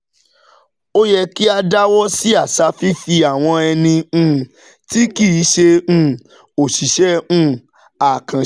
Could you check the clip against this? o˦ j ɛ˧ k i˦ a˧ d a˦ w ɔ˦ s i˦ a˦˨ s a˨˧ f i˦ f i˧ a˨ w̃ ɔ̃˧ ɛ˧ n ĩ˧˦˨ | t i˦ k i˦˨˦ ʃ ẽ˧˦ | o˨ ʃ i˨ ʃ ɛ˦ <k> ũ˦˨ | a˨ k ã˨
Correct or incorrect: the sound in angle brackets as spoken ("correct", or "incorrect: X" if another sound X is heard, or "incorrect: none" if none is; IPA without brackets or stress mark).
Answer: incorrect: none